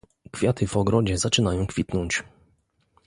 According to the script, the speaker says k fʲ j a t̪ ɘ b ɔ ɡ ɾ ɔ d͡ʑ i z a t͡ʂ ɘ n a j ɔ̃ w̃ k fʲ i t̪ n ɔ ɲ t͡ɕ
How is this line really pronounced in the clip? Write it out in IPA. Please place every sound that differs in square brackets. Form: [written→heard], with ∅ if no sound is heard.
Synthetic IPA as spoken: k fʲ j a t̪ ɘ [b→v] ɔ ɡ ɾ ɔ d͡ʑ [i→ɛ] z a t͡ʂ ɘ n a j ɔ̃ w̃ k fʲ i t̪ n ɔ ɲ t͡ɕ